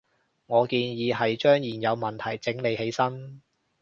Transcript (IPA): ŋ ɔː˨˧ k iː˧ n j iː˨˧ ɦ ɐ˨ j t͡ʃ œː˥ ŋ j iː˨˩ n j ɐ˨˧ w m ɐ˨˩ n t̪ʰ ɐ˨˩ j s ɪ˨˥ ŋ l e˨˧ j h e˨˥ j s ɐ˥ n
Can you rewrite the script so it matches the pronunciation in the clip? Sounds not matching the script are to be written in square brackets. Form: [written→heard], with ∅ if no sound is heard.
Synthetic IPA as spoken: ŋ ɔː˨˧ k iː˧ n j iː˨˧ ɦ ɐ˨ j t͡ʃ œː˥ ŋ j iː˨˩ n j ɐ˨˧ w m ɐ˨˩ n t̪ʰ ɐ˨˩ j [s→t͡s] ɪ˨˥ ŋ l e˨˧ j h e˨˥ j s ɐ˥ n